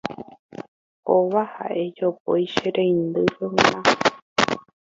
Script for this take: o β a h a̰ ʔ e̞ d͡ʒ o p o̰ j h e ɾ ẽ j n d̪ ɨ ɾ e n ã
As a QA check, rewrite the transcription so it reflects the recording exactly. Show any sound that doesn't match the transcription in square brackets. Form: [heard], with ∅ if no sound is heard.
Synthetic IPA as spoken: o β a h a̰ ʔ e̞ d͡ʒ o p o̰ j [ʃ] e ɾ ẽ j n d̪ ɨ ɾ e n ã